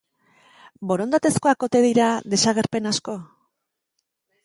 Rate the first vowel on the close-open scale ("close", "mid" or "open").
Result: mid